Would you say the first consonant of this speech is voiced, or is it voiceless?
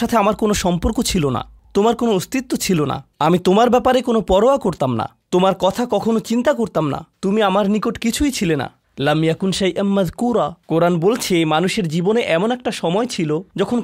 voiceless